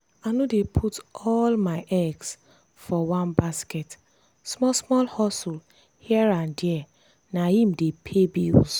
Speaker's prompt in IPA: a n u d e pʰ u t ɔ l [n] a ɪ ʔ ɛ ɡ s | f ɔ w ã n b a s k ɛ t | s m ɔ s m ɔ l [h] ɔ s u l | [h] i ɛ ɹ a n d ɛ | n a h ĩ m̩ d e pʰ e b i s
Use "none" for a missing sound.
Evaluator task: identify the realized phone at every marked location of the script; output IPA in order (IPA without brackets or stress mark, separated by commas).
m, h, h